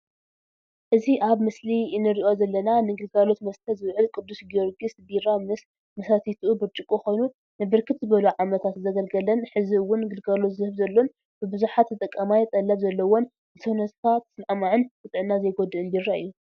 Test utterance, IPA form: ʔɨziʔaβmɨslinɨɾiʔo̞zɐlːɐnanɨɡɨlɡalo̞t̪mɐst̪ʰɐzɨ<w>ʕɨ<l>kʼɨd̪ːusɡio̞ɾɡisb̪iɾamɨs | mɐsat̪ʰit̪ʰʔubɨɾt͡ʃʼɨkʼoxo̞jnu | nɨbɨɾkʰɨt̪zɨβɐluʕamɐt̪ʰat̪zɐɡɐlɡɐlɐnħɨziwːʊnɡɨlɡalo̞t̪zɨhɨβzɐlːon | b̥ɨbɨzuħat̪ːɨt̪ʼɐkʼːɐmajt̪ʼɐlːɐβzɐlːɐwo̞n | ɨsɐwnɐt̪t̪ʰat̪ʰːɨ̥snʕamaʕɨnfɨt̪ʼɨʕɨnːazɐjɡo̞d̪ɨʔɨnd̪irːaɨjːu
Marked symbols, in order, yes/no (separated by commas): no, yes